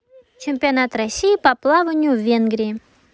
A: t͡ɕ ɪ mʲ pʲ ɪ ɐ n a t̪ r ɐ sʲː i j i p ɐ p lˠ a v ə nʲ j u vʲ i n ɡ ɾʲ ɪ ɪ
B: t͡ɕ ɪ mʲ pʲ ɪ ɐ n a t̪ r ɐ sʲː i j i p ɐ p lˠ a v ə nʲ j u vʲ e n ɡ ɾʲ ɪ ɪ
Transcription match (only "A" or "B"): B